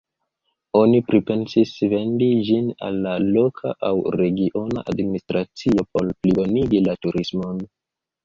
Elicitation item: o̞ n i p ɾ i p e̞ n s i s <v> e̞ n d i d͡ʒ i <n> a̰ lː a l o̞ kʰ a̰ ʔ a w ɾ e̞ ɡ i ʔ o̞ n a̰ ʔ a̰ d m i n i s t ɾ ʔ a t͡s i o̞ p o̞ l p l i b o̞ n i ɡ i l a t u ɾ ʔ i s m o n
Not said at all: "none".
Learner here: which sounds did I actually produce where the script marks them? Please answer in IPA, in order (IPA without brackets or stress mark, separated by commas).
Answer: v, n